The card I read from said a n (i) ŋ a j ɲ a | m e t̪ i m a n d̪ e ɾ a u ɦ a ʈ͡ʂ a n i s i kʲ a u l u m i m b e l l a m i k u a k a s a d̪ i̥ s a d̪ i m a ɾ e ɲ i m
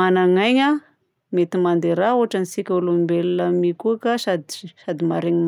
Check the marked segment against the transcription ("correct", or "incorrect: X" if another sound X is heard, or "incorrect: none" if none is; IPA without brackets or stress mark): incorrect: a